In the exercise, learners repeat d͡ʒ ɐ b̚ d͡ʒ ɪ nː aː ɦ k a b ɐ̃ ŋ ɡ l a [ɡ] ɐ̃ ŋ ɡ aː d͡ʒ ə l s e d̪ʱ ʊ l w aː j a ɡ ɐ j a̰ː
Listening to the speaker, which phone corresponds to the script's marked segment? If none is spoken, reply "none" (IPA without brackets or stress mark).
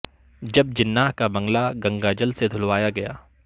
ɡ